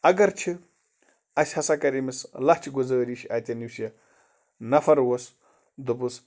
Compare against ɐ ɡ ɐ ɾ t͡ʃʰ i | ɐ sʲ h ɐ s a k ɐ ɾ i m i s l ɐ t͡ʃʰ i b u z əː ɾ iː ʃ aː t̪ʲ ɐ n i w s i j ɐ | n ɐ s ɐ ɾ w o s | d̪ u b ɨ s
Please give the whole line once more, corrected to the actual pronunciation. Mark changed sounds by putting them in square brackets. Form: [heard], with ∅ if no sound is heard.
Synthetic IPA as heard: ɐ ɡ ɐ ɾ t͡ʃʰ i | ɐ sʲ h ɐ s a k ɐ ɾ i m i s l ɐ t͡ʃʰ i [ɡ] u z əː ɾ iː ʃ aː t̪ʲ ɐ n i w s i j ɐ | n ɐ [f] ɐ ɾ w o s | d̪ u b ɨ s